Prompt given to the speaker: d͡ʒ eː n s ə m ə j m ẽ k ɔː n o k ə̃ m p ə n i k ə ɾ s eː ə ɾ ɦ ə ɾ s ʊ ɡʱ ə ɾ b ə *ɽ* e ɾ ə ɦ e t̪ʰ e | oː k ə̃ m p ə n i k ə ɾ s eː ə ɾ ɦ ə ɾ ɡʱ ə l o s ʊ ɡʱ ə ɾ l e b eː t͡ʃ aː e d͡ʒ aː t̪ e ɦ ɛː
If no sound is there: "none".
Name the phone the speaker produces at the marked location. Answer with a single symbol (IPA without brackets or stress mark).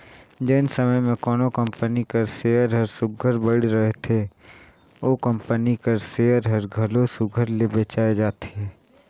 ɽ